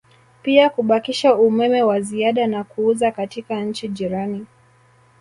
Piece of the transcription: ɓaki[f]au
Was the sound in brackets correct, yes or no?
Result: no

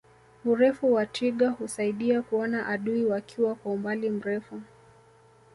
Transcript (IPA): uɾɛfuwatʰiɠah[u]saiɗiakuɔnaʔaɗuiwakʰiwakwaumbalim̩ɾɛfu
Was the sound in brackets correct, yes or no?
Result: yes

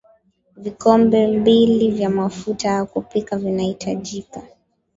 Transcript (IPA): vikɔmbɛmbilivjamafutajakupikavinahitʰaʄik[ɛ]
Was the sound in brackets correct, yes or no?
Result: no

